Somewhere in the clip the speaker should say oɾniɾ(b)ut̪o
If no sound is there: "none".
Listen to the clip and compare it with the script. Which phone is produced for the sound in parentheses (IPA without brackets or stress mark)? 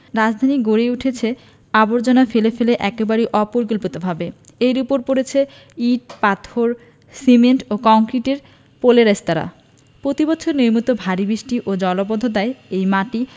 m